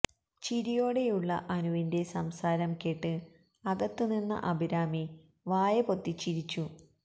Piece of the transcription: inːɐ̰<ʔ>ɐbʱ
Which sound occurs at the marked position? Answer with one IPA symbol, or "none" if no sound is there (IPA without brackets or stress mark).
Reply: ʔ